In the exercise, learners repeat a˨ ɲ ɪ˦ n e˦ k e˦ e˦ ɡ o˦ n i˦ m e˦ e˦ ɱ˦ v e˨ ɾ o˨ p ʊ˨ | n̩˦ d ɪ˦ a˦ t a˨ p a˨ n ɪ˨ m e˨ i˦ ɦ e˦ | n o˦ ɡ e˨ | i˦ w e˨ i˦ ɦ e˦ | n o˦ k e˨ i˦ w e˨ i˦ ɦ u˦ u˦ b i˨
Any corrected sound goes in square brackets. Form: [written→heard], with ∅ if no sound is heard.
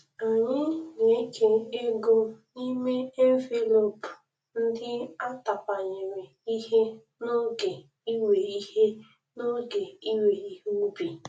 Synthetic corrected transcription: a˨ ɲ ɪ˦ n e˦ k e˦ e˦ ɡ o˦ n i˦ m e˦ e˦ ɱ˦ v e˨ [ɾ→l] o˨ p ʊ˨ | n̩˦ d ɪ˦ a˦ t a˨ p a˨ [n→ɲ] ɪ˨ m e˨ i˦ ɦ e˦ | n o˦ ɡ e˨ | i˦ w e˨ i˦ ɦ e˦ | n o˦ [k→ɡ] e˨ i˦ w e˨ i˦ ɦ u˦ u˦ b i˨